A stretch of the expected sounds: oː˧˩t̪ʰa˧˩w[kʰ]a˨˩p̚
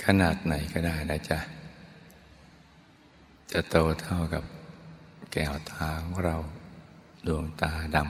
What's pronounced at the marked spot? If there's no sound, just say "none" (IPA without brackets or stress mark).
k